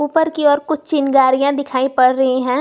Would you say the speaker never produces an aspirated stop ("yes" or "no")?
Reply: no